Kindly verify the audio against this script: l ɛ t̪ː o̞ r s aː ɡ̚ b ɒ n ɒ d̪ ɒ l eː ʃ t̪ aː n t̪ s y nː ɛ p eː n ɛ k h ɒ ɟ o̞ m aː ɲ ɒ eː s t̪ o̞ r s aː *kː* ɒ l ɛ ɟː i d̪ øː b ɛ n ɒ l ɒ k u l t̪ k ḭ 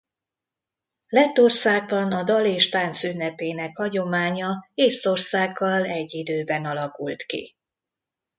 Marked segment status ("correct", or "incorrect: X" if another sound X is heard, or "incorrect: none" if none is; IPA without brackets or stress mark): incorrect: ɡː